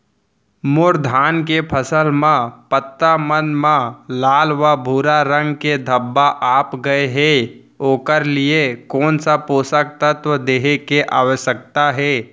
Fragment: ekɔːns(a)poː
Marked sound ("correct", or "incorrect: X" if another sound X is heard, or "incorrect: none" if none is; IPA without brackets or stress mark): correct